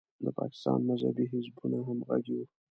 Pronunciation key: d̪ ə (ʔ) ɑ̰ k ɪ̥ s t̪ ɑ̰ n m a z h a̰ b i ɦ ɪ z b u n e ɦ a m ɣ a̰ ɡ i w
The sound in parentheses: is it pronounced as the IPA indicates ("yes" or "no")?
no